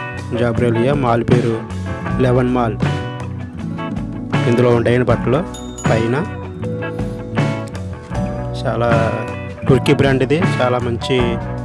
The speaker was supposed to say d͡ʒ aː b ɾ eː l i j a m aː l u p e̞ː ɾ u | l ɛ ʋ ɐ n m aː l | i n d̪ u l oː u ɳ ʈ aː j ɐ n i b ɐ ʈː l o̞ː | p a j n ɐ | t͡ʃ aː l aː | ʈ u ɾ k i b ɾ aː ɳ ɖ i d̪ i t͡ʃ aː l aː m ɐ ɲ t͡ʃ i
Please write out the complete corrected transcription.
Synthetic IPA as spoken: d͡ʒ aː b ɾ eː l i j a m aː l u p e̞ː ɾ u | l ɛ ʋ ɐ n m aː l | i n d̪ u l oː u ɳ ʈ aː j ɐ n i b ɐ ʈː l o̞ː | p ɐ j n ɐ | t͡ʃ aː l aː | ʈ u ɾ k i b ɾ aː ɳ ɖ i d̪ i t͡ʃ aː l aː m ɐ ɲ t͡ʃ i

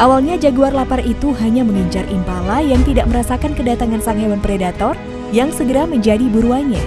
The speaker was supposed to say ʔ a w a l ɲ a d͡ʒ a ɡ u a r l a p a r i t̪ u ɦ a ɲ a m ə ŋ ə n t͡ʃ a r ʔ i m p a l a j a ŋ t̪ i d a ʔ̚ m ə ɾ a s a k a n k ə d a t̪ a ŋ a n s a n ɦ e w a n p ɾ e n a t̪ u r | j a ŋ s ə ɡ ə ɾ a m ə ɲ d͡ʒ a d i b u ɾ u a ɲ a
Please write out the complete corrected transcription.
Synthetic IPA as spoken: ʔ a w a l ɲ a d͡ʒ a ɡ u a r l a p a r i t̪ u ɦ a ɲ a m ə ŋ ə ɲ t͡ʃ a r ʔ i m p a l a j a ŋ t̪ i d a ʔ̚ m ə ɾ a s a k a n k ə d a t̪ a ŋ a n s a ŋ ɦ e w a n p ɾ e d a t̪ ɔ r | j a ŋ s ə ɡ ə ɾ a m ə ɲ d͡ʒ a d i b u ɾ u a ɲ a

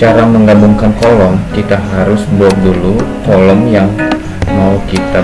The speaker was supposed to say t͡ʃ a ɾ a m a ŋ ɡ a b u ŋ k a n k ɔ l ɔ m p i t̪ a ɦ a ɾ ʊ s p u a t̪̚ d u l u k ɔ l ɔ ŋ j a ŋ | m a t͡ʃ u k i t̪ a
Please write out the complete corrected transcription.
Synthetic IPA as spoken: t͡ʃ a ɾ a m ə ŋ ɡ a b u ŋ k a n k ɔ l ɔ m k i t̪ a ɦ a ɾ ʊ s b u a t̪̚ d u l u k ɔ l ɔ m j a ŋ | m a u k i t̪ a

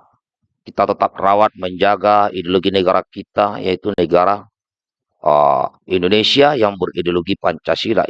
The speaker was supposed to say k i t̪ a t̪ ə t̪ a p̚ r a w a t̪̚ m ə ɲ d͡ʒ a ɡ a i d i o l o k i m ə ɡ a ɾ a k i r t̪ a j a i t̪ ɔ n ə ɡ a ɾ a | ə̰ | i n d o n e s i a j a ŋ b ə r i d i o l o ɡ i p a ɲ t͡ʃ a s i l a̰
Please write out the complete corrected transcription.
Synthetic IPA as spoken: k i t̪ a t̪ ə t̪ a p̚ r a w a t̪̚ m ə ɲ d͡ʒ a ɡ a i d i o l o ɡ i n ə ɡ a ɾ a k i t̪ a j a i t̪ u n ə ɡ a ɾ a | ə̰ | i n d o n e s i a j a ŋ b ə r i d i o l o ɡ i p a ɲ t͡ʃ a s i l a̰

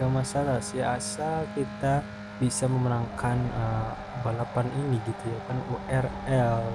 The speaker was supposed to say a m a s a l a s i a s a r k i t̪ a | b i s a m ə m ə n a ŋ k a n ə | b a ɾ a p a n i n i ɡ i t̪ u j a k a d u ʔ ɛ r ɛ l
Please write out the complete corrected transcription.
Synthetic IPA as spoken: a m a s a l a s i a s a l k i t̪ a | b i s a m ə m ə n a ŋ k a n ə | b a l a p a n i n i ɡ i t̪ u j a k a n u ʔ ɛ r ɛ l

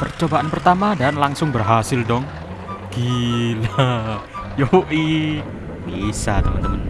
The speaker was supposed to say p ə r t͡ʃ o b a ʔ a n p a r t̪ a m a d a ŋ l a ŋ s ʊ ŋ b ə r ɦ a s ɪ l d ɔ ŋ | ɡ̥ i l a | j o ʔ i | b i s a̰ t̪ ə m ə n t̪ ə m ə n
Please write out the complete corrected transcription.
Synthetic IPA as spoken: p ə r t͡ʃ o b a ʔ a n p ə r t̪ a m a d a n l a ŋ s ʊ ŋ b ə r ɦ a s ɪ l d ɔ ŋ | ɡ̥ i l a | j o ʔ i | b i s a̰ t̪ ə m ə n t̪ ə m ə n

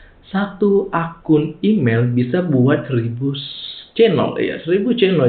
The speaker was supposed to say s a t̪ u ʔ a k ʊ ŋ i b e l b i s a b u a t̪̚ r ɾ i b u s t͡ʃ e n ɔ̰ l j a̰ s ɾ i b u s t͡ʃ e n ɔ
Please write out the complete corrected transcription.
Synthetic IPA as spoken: s a t̪ u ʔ a k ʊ n i m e l b i s a b u a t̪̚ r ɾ i b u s t͡ʃ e n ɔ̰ l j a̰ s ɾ i b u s t͡ʃ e n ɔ

